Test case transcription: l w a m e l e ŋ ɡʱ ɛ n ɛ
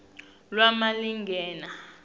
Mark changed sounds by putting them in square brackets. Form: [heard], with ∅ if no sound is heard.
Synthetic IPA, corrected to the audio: l w a m [a] l [i] ŋ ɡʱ [ɛː] n [a]

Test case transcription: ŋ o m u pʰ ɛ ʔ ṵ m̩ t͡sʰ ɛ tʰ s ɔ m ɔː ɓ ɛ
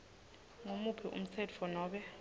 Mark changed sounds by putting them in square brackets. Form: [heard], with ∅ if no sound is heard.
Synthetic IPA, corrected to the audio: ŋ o m u pʰ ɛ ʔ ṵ m̩ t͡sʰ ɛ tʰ [f] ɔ [n] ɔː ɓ ɛ

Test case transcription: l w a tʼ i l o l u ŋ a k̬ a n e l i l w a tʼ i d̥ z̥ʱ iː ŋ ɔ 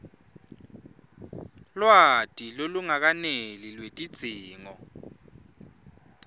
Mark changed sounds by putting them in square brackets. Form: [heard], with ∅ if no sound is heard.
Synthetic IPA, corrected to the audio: l w a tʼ i l o l u ŋ a k̬ a n e l i l w [e] tʼ i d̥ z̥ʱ iː ŋ ɔ

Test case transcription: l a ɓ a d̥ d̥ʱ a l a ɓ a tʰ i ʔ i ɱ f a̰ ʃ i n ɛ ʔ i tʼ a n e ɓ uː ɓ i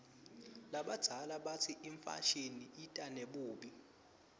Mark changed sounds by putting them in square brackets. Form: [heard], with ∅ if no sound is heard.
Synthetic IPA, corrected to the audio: l a ɓ a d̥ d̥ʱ a l a ɓ a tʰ i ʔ i ɱ f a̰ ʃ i n [i] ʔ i tʼ a n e ɓ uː ɓ i

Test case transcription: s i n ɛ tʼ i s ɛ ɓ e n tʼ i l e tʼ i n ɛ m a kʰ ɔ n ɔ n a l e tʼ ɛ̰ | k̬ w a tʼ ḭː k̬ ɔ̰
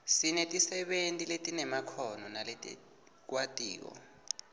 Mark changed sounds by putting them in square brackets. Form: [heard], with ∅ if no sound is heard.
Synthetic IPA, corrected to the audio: s i n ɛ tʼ i s ɛ ɓ e n tʼ i l e tʼ i n ɛ m a kʰ ɔ n ɔ n a l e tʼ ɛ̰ | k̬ w a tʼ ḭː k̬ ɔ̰

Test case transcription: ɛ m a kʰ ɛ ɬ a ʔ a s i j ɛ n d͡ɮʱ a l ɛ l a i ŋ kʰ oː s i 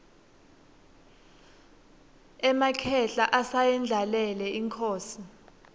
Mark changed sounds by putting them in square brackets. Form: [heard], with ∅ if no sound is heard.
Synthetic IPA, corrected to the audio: ɛ m a kʰ ɛ ɬ a ʔ a s [a] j ɛ n d͡ɮʱ a l ɛ l [ɛ] i ŋ kʰ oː s i

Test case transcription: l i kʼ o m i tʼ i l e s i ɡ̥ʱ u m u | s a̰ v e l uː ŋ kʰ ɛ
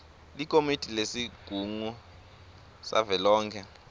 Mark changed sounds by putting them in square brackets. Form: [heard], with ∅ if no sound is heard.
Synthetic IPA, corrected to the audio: l i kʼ o m i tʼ i l e s i ɡ̥ʱ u [ŋ] u | s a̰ v [ɛ] l [ɔː] ŋ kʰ ɛ

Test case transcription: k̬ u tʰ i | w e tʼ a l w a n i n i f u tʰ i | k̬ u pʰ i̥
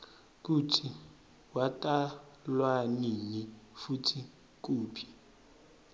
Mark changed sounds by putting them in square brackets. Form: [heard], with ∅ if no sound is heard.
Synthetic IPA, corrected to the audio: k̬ u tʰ i | w [a] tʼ a l w a n i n i f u tʰ i | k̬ [uː] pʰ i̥

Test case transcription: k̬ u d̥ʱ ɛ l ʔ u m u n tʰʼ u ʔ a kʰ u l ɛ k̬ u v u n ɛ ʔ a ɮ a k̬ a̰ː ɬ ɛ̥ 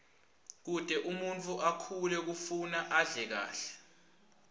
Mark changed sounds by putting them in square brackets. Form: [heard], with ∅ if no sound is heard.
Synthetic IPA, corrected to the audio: k̬ u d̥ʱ ɛ [∅] ʔ u m u n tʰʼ u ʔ a kʰ u l ɛ k̬ u [f] u n [a] ʔ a ɮ [ɛ] k̬ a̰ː ɬ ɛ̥

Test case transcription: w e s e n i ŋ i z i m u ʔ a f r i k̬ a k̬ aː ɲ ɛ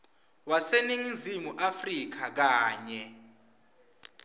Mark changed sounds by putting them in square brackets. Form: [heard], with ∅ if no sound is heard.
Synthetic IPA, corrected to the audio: w [a] s e n i ŋ i z i m u ʔ a f r i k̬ a k̬ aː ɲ ɛ

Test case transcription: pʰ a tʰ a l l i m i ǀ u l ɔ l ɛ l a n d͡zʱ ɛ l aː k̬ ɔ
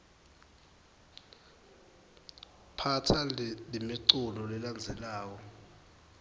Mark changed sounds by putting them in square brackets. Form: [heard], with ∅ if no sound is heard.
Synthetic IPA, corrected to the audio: pʰ a tʰ a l l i m i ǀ u l ɔ l ɛ l a n d͡zʱ ɛ l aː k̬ ɔ

